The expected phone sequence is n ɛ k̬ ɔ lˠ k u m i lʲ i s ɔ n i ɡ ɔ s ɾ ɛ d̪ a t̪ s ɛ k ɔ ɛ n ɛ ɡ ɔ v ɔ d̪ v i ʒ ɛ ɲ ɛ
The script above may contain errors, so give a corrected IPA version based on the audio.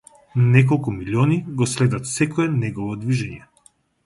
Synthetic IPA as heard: n ɛ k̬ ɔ lˠ k u m i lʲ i ɔ n i ɡ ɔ s l ɛ d̪ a t̪ s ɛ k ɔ ɛ n ɛ ɡ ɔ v ɔ d̪ v i ʒ ɛ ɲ ɛ